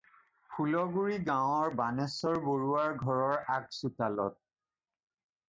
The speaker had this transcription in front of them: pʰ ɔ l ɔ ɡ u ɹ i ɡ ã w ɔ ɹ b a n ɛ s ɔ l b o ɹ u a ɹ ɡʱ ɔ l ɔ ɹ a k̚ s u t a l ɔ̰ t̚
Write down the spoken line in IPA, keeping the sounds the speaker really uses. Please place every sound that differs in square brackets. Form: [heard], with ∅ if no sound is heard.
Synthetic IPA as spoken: pʰ [u] l ɔ ɡ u ɹ i ɡ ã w ɔ ɹ b a n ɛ s ɔ [ɹ] b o ɹ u a ɹ ɡʱ ɔ [ɹ] ɔ ɹ a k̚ s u t a l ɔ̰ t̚